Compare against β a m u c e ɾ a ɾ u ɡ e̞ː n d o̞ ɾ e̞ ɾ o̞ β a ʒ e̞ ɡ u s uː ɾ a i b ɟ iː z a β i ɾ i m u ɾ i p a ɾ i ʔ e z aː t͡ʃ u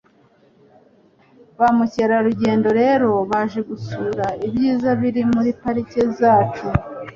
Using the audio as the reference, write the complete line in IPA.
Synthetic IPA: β a m u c e ɾ a ɾ u ɟ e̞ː n d o̞ ɾ e̞ ɾ o̞ β a ʒ e̞ ɡ u s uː ɾ a i b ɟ iː z a β i ɾ i m u ɾ i p a ɾ i c e z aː t͡ʃ u